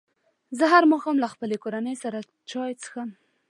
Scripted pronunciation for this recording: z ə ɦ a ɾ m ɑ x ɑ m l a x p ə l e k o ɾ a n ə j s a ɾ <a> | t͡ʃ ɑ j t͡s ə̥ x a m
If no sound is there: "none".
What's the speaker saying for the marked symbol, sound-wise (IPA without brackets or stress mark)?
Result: a